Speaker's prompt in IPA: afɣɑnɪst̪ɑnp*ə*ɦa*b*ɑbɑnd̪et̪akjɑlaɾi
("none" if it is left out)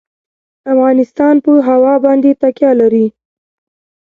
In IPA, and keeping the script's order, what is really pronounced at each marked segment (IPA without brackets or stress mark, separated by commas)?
ə, w